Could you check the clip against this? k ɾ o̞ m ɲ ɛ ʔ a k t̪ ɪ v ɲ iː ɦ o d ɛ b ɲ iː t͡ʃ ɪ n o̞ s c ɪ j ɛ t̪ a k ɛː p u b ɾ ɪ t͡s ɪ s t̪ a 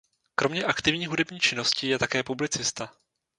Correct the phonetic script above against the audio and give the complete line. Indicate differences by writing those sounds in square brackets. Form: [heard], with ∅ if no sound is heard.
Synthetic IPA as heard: k ɾ o̞ m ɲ ɛ ʔ a k t̪ ɪ v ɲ iː ɦ [u] d ɛ b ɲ iː t͡ʃ ɪ n o̞ s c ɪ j ɛ t̪ a k ɛː p u b [l] ɪ t͡s ɪ s t̪ a